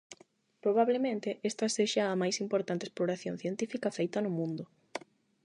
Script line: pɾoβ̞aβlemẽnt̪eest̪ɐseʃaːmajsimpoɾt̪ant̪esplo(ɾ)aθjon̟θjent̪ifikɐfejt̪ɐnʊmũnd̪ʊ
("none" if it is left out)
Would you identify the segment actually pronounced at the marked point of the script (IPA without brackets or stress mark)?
ɾ